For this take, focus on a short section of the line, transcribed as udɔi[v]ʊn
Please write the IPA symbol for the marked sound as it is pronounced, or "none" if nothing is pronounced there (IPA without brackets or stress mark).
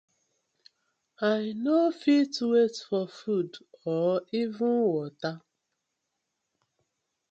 v